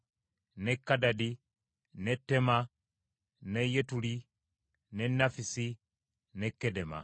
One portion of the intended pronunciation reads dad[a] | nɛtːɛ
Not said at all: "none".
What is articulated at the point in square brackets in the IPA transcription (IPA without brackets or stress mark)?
i